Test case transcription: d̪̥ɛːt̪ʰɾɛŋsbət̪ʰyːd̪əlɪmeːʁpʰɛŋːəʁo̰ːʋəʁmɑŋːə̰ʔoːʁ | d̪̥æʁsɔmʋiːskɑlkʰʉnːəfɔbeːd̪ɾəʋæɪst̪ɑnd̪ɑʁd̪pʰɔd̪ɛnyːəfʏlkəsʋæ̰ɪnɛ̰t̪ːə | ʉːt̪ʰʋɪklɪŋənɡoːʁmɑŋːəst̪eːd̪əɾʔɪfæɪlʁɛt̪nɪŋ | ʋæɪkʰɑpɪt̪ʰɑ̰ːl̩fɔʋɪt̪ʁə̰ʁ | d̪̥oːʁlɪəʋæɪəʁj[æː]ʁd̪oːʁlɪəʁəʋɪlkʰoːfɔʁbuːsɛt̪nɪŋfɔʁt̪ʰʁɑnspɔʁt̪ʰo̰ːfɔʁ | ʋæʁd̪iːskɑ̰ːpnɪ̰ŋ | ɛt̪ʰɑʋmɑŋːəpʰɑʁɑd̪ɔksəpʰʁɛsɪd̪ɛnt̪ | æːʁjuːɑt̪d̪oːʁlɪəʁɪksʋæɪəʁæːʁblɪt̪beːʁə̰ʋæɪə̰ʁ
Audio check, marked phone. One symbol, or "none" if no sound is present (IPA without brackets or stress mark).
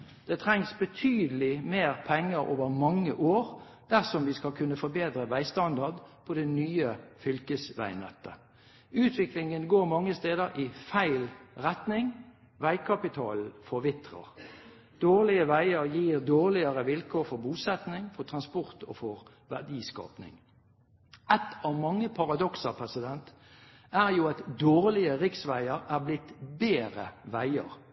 iː